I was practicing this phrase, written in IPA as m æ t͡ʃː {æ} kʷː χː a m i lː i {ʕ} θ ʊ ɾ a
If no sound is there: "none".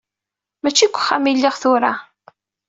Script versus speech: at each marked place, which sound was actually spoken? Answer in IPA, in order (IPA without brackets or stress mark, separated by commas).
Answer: i, ʁ